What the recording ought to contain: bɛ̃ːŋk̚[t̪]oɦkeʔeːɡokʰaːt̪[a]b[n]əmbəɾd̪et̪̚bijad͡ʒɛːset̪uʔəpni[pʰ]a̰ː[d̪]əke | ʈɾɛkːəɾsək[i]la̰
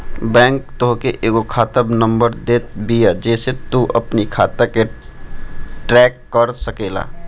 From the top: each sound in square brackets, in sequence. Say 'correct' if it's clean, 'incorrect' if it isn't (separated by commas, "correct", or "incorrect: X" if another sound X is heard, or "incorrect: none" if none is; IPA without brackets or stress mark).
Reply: correct, incorrect: ə, correct, incorrect: kʰ, incorrect: t̪, incorrect: e